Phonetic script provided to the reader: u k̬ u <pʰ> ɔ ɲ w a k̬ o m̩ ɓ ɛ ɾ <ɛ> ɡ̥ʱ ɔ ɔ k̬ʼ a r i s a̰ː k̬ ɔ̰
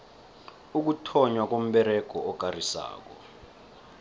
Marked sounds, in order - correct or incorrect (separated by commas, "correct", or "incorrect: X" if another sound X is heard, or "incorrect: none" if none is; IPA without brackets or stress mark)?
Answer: incorrect: tʰ, correct